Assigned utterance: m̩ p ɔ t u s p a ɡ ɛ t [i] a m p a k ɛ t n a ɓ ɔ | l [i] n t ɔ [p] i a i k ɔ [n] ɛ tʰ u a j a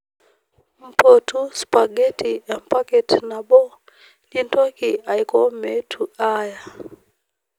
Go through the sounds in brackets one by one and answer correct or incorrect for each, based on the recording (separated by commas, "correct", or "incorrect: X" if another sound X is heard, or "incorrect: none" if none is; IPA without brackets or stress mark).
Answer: correct, correct, incorrect: k, incorrect: m